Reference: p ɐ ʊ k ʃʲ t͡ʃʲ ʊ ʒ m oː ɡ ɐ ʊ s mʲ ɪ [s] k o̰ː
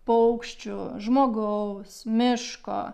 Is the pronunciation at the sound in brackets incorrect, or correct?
incorrect